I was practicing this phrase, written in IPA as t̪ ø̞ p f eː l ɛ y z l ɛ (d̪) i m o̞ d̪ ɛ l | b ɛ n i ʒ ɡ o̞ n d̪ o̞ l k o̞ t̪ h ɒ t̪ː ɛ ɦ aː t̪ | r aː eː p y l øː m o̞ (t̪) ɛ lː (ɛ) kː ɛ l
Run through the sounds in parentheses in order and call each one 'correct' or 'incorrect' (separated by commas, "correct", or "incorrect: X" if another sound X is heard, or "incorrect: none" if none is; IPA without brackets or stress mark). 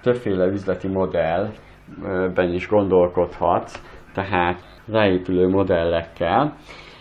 incorrect: t̪, incorrect: d̪, correct